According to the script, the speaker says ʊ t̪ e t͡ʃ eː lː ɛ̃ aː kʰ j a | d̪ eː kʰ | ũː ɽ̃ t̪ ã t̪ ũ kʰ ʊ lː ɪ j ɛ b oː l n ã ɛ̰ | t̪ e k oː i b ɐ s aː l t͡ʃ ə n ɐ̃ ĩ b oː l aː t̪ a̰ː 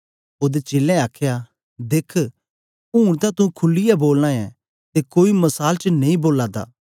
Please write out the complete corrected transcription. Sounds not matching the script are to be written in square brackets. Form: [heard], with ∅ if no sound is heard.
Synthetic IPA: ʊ [d̪] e t͡ʃ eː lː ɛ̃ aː kʰ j a | d̪ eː kʰ | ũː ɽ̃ t̪ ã t̪ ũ kʰ ʊ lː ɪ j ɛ b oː l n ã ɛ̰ | t̪ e k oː i [m] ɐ s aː l t͡ʃ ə n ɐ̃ ĩ b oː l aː [d̪] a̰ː